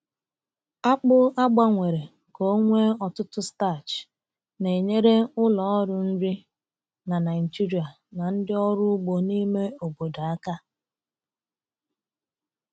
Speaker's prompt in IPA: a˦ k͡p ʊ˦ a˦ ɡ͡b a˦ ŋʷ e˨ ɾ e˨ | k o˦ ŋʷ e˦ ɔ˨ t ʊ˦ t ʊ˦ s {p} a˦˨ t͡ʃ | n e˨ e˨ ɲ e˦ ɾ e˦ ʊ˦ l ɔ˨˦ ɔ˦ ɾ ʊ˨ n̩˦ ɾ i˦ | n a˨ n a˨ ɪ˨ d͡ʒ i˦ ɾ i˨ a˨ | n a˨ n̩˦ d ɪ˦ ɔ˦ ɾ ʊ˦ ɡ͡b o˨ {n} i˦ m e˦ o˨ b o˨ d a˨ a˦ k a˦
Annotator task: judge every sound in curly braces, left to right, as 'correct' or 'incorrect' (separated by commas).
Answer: incorrect, correct